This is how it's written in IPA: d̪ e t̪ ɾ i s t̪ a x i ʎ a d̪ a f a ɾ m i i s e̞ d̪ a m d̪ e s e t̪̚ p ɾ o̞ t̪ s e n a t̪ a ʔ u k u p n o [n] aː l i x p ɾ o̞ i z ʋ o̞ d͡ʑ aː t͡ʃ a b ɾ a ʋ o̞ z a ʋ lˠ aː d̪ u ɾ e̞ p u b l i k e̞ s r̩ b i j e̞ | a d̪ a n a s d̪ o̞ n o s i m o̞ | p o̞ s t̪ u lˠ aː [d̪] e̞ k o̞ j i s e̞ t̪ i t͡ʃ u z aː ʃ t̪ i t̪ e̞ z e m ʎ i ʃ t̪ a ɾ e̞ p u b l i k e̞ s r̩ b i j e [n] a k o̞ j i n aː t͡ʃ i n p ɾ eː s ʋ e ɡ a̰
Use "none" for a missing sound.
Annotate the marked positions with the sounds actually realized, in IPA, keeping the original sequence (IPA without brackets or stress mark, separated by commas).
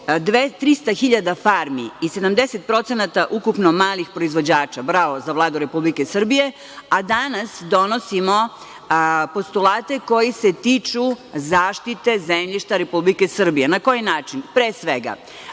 m, t̪, n